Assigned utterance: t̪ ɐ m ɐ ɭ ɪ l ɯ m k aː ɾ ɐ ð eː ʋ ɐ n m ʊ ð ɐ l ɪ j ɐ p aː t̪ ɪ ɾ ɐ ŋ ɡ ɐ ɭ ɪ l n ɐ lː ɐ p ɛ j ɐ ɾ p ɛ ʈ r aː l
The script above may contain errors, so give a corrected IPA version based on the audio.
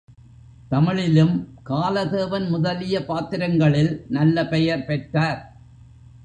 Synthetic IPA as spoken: t̪ ɐ m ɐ ɭ ɪ l ɯ m k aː l ɐ ð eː ʋ ɐ n m ʊ ð ɐ l ɪ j ɐ p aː t̪ ɪ ɾ ɐ ŋ ɡ ɐ ɭ ɪ l n ɐ lː ɐ p ɛ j ɐ ɾ p ɛ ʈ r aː ɾ

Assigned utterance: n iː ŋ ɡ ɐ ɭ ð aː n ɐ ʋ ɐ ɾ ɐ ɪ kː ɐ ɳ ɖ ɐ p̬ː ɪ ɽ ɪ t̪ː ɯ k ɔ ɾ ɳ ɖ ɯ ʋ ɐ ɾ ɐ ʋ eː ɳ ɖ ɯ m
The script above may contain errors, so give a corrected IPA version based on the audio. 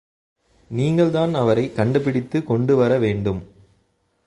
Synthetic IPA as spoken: n iː ŋ ɡ ɐ ɭ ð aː n ɐ ʋ ɐ ɾ ɐ ɪ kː ɐ ɳ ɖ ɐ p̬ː ɪ ɽ ɪ t̪ː ɯ k ɔ ɳ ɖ ɯ ʋ ɐ ɾ ɐ ʋ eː ɳ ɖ ɯ m

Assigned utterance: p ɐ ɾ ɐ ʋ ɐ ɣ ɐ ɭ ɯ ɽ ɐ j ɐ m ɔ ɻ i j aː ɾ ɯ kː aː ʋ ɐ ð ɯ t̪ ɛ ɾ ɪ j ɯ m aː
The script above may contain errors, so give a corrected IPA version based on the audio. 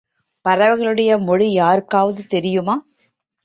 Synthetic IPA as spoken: p ɐ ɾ ɐ ʋ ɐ ɣ ɐ ɭ ɯ ɽ ɐ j ɐ m ɔ ɻ i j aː ɾ ɯ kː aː ʋ ɐ ð ɯ t̪ ɛ ɾ ɪ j ɯ m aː

